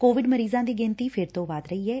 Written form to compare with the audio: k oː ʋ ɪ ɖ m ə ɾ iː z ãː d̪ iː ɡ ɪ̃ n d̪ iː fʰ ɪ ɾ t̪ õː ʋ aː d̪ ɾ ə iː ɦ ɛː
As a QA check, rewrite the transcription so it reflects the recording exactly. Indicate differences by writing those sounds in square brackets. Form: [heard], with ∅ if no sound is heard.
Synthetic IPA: k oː ʋ ɪ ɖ m ə ɾ iː z ãː d̪ iː ɡ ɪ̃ n [t̪] iː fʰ ɪ ɾ t̪ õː ʋ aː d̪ ɾ ə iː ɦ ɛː